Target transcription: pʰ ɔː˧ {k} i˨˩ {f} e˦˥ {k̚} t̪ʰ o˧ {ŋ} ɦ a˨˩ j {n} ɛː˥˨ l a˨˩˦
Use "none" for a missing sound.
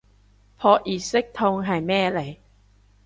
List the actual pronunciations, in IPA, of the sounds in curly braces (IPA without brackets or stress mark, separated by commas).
ʔ, s, k̚, ŋ, m